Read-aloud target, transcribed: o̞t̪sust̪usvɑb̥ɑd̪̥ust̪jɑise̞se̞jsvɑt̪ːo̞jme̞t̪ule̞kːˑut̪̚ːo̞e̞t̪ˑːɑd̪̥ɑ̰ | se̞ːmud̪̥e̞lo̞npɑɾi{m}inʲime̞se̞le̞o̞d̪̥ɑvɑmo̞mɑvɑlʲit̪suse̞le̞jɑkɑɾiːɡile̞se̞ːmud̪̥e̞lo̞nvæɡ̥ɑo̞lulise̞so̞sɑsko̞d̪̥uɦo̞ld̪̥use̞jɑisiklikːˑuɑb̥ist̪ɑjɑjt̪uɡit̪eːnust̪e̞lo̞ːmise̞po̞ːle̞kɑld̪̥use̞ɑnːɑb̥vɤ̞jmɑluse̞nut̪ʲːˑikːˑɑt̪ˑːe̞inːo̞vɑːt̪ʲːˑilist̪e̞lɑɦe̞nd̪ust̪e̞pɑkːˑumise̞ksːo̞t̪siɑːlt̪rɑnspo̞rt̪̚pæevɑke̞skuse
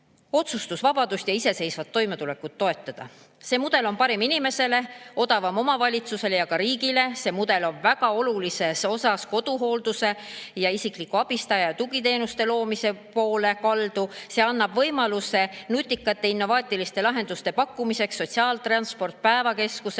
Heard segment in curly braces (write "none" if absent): m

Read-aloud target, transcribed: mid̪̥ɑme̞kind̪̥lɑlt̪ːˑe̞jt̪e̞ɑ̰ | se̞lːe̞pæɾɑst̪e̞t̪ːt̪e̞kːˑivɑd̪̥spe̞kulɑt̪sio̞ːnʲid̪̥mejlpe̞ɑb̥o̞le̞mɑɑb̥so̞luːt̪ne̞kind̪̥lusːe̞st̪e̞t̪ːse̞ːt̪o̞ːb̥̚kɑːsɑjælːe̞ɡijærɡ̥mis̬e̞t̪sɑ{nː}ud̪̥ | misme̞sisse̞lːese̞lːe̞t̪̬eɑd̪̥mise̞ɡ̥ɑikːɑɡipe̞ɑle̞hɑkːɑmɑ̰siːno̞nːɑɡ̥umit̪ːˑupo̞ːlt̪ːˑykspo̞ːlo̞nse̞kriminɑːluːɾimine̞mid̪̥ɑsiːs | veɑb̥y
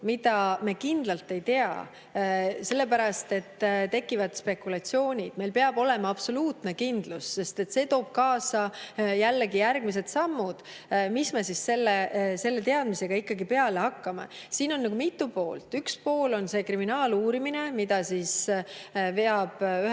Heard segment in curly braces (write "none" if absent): mː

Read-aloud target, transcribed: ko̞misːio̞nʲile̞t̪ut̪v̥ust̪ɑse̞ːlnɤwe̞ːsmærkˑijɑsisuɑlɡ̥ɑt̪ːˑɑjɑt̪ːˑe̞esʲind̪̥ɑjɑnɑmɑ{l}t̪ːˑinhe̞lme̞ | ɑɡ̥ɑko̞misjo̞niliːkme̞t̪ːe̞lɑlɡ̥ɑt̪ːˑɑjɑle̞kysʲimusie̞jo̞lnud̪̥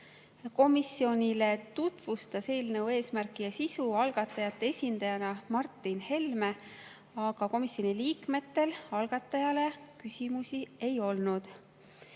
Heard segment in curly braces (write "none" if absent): r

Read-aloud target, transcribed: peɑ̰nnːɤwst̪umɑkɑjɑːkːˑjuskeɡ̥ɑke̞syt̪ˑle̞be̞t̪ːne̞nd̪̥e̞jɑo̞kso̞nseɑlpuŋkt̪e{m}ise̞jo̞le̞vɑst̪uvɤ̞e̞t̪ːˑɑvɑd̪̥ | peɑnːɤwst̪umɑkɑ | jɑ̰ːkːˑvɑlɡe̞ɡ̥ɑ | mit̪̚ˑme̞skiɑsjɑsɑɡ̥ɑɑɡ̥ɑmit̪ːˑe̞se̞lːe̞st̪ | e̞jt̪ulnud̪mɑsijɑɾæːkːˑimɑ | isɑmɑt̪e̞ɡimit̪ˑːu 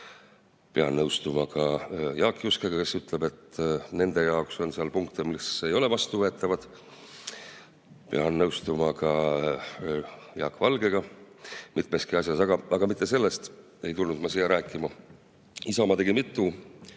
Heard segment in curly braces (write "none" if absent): m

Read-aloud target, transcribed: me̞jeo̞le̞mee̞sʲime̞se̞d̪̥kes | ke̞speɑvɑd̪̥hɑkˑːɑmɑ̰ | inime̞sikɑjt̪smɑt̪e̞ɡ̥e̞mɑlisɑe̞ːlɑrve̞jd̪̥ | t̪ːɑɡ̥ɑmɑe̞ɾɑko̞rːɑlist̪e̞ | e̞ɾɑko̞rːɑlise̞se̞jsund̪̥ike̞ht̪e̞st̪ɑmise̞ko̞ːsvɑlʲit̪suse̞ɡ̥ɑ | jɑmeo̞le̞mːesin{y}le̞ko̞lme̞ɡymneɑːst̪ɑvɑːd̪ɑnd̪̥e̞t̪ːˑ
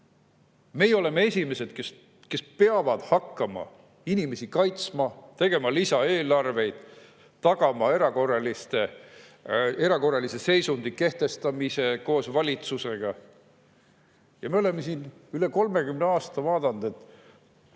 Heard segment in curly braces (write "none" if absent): y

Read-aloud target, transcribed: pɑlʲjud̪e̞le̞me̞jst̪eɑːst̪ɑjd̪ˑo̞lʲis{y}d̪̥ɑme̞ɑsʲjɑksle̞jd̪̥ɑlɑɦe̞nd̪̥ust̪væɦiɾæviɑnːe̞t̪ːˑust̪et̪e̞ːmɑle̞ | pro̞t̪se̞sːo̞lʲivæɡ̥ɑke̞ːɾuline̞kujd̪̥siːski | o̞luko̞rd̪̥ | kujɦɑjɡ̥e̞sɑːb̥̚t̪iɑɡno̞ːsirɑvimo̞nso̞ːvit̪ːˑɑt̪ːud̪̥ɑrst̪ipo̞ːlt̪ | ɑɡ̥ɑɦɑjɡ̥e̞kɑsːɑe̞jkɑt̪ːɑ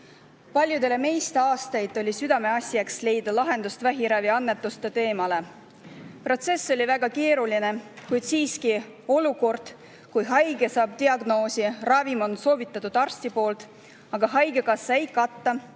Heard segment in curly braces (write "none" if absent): y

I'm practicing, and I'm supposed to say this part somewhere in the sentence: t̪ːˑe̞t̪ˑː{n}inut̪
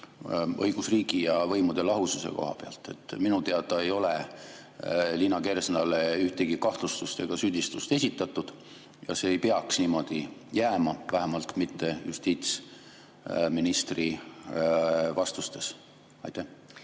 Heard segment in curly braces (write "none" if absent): m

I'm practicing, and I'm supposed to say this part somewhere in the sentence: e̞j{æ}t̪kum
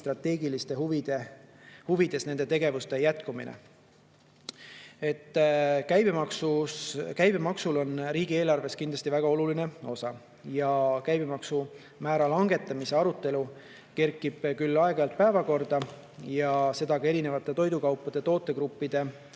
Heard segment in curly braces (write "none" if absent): æ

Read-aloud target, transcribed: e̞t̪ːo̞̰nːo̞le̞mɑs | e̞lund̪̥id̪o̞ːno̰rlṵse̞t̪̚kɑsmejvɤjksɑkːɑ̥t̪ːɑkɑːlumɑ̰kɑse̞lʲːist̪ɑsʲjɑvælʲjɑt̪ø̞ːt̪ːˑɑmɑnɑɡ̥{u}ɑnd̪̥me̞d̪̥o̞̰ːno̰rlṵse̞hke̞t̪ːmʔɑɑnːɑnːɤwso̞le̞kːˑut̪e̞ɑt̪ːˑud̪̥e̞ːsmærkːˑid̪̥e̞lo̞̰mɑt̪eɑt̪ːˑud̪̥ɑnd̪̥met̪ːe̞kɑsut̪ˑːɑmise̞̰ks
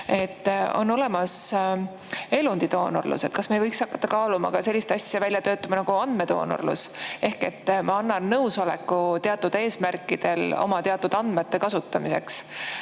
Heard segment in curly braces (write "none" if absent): u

